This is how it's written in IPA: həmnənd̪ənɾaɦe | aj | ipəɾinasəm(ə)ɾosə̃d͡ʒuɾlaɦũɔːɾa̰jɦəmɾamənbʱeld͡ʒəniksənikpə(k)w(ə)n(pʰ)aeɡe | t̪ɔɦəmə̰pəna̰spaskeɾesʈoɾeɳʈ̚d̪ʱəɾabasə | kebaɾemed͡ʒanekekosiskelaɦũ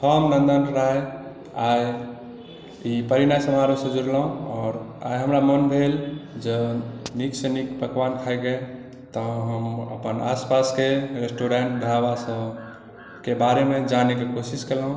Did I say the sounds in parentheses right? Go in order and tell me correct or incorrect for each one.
incorrect: a, correct, incorrect: a, incorrect: kʰ

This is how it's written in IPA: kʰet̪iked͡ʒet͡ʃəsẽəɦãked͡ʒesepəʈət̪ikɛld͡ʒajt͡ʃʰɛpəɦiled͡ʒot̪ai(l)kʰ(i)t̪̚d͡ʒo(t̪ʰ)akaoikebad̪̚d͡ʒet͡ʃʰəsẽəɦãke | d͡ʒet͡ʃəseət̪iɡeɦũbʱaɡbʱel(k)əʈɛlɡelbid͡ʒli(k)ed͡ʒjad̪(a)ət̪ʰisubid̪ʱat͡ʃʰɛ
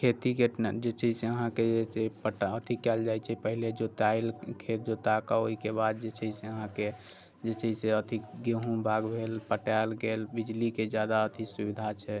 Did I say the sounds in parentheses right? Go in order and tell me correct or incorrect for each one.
correct, incorrect: e, incorrect: t̪, incorrect: p, correct, correct

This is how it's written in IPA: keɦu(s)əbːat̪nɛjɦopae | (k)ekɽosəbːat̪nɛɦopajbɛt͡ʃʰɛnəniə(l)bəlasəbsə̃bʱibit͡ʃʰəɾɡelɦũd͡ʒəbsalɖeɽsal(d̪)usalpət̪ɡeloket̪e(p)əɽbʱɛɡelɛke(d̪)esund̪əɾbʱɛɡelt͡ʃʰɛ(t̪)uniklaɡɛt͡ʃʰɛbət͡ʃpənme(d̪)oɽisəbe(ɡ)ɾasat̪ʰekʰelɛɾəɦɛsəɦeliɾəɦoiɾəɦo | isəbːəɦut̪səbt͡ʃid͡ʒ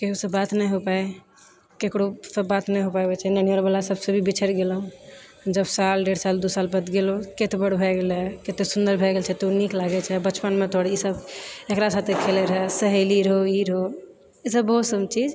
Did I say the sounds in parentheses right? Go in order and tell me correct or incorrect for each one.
correct, correct, incorrect: ɾ, correct, incorrect: b, incorrect: t̪, correct, incorrect: t̪, incorrect: k

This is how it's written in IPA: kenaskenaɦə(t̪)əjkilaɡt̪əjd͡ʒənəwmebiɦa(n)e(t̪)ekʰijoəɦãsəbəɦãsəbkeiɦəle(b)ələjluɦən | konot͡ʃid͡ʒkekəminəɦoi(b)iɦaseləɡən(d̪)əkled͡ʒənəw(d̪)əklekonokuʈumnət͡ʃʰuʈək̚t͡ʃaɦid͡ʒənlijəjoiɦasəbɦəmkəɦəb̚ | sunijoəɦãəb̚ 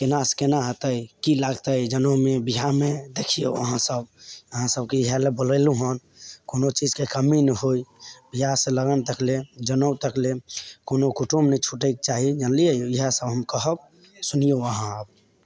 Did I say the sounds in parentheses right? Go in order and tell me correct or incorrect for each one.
correct, incorrect: m, incorrect: d̪, correct, correct, incorrect: t̪, incorrect: t̪

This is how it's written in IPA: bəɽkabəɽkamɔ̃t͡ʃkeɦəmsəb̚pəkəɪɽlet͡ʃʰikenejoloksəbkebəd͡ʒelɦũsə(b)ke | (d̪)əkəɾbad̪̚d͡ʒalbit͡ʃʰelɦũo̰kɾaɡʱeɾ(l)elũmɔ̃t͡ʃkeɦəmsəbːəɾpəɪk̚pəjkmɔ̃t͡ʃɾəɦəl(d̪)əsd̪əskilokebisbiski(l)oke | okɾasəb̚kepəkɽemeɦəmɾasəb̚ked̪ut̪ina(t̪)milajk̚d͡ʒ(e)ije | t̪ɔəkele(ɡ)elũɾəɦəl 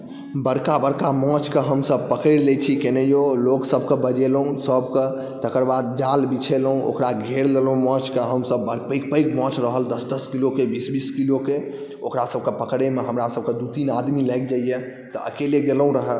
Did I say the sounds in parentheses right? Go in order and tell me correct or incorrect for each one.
correct, incorrect: t̪, correct, correct, correct, incorrect: d̪, incorrect: a, correct

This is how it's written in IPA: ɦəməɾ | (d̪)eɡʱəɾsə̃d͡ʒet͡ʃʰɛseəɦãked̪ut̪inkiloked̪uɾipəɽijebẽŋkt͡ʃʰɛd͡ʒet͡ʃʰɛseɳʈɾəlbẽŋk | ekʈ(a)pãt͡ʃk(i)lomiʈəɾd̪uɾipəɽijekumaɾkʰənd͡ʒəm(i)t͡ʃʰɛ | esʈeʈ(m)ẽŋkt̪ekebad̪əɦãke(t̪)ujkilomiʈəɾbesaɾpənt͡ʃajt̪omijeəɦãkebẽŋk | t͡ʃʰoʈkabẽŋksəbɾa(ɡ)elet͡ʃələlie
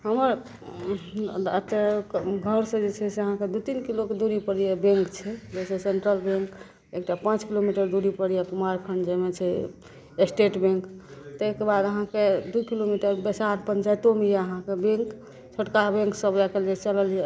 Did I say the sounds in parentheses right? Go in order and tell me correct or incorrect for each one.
incorrect: t̪, correct, correct, incorrect: e, incorrect: b, incorrect: d̪, incorrect: k

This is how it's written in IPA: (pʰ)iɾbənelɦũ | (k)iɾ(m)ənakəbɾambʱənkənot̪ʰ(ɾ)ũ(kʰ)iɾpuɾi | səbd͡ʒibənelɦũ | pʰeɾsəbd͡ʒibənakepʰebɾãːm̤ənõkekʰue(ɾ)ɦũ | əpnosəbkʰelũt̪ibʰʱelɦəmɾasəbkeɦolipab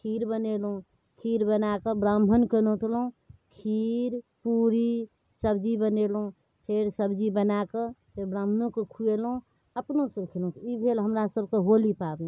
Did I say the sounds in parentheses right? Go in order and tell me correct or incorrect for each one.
incorrect: kʰ, incorrect: kʰ, incorrect: b, incorrect: l, correct, incorrect: l

